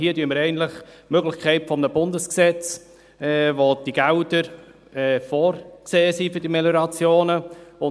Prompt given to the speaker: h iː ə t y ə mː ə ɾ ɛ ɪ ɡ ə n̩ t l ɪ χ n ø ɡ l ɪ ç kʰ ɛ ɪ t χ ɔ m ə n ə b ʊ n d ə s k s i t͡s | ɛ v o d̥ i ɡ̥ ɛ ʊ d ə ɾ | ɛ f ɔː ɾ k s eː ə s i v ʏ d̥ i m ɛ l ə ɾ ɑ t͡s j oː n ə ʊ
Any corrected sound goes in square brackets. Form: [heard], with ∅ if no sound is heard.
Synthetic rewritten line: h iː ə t y ə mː ə ɾ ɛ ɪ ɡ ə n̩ t l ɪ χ [m] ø ɡ l ɪ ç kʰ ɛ ɪ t [f] ɔ m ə n ə b ʊ n d ə s k s [ɛ] t͡s | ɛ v o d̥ i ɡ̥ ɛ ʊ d ə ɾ | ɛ f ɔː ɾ k s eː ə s i [f] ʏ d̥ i m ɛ l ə ɾ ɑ t͡s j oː n ə ʊ